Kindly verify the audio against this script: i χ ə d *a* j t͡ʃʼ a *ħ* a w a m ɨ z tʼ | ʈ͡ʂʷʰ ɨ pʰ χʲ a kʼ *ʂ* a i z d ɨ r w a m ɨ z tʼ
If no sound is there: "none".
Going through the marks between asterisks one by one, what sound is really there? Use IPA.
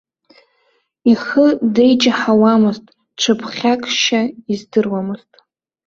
e, ħ, ʃ

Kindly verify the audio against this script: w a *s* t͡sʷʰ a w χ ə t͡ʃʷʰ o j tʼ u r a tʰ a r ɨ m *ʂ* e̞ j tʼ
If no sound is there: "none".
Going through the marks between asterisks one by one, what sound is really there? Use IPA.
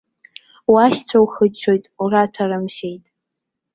ʃ, ʃ

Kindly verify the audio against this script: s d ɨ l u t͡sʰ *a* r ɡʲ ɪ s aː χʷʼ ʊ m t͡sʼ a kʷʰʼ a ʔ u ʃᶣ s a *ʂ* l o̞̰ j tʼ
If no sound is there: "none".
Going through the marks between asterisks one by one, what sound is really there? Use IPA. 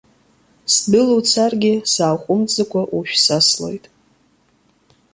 a, s

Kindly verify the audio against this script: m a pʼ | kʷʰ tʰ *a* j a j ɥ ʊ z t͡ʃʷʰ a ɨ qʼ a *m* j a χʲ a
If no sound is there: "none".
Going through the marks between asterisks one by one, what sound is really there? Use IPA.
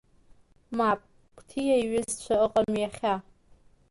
i, m

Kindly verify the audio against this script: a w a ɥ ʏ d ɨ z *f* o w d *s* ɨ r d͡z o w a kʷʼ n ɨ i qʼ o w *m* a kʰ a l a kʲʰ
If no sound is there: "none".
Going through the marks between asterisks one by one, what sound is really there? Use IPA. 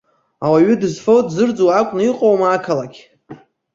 f, z, m

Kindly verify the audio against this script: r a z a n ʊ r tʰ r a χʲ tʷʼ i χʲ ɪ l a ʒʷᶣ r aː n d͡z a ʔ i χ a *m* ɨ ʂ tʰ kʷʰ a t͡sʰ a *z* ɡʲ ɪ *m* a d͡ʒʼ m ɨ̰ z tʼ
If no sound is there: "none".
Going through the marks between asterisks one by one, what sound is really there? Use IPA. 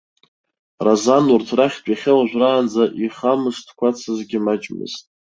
m, z, m

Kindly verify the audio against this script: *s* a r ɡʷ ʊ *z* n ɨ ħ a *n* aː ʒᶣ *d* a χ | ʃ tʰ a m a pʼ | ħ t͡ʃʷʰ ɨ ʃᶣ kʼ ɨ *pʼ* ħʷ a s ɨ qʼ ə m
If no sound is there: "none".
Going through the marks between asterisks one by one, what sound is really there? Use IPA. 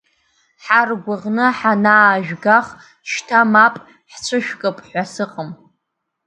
ħ, ʁ, n, ɡ, pʼ

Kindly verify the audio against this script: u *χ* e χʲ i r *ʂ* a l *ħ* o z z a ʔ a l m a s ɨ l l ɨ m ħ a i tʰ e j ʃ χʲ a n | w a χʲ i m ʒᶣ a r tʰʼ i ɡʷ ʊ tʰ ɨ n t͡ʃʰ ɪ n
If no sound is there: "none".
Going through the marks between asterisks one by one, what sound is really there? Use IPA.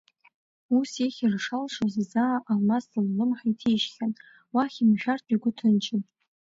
s, ʂ, ʂ

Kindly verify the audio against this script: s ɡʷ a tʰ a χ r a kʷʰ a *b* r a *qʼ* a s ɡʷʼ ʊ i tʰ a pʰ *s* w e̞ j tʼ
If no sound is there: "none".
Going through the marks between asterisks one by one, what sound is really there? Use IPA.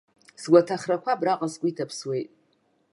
b, qʼ, s

